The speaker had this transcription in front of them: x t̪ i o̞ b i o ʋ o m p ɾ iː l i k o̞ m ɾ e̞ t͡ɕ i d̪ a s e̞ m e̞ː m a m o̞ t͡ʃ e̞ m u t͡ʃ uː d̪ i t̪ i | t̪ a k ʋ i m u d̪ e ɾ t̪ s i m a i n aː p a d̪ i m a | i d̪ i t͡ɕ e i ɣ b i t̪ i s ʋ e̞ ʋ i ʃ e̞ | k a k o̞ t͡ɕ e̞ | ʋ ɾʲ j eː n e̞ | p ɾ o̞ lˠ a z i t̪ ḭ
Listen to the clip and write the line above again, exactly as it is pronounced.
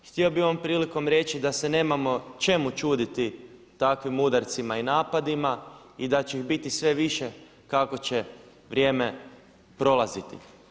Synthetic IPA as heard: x t̪ i o̞ b i o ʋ o m p ɾ iː l i k o̞ m ɾ e̞ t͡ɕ i d̪ a s e̞ n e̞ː m a m o̞ t͡ʃ e̞ m u t͡ʃ uː d̪ i t̪ i | t̪ a k ʋ i m u d̪ a ɾ t̪ s i m a i n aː p a d̪ i m a | i d̪ a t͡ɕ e i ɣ b i t̪ i s ʋ e̞ ʋ i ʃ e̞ | k a k o̞ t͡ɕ e̞ | ʋ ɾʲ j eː m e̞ | p ɾ o̞ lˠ a z i t̪ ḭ